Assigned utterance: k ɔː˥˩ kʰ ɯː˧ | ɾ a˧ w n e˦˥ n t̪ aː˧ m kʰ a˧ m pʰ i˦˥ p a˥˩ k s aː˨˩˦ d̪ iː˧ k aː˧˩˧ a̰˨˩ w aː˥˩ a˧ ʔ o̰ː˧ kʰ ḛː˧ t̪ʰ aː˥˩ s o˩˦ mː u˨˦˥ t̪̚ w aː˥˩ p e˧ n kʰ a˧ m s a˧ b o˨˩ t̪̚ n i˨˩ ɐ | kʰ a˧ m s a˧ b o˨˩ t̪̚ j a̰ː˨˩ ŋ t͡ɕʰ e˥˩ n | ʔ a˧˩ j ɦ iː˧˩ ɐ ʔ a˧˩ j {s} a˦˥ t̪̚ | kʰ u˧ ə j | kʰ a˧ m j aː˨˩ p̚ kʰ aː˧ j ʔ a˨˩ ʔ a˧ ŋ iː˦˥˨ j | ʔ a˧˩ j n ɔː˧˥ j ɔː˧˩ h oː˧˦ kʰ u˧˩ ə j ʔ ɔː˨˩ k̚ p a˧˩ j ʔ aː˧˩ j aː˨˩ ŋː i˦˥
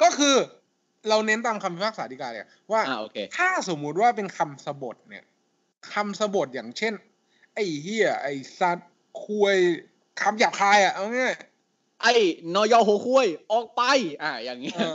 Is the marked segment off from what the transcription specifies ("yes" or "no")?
no